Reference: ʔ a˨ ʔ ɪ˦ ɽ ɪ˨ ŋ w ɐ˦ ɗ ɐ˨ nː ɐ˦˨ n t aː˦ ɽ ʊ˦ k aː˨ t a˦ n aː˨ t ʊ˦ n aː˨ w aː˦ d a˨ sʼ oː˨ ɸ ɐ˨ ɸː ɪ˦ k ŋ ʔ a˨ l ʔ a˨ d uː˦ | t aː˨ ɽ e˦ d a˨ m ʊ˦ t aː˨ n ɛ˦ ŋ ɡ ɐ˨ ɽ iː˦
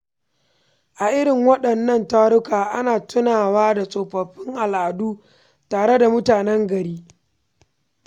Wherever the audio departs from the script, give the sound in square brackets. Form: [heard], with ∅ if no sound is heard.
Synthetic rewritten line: ʔ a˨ ʔ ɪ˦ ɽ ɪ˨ ŋ w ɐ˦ ɗ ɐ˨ nː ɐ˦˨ n t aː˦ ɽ ʊ˦ k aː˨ [ʔ] a˦ n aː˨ t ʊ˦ n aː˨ w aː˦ d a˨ sʼ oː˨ ɸ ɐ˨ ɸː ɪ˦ [∅] ŋ ʔ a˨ l ʔ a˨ d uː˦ | t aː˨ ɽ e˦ d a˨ m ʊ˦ t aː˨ n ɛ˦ ŋ ɡ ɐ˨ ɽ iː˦